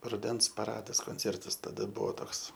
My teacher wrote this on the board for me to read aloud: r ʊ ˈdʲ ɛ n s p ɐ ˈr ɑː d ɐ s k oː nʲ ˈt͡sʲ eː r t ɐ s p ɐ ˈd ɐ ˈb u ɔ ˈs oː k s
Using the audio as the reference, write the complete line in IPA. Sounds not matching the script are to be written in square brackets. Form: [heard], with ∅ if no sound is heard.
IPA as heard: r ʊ ˈdʲ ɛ n s p ɐ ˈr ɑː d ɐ s k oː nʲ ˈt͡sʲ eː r t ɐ s [t] ɐ ˈd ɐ ˈb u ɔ [ˈt] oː k s